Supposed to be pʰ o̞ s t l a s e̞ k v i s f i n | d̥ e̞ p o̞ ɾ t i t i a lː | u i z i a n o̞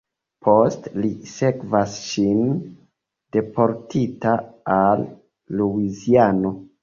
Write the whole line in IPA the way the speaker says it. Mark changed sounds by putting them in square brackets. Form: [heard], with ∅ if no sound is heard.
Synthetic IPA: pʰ o̞ s t l [i] s e̞ k v [a] s [ʃ] i n | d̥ e̞ p o̞ ɾ t i t [a] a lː | u i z i a n o̞